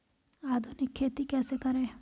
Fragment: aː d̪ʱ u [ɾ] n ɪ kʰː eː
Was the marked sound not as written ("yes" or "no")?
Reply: yes